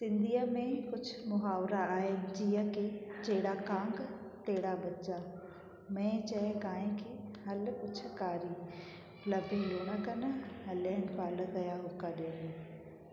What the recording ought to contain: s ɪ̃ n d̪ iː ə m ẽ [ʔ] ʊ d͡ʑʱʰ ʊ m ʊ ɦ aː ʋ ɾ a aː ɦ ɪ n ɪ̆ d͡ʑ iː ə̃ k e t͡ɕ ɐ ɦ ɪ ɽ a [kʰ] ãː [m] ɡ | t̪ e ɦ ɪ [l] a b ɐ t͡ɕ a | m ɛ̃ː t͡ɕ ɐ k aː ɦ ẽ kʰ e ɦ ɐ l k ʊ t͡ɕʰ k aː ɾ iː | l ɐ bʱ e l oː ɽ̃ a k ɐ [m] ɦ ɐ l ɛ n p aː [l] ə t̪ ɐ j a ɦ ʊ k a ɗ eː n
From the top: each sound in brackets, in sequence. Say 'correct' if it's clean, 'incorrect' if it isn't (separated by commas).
incorrect, incorrect, incorrect, incorrect, incorrect, correct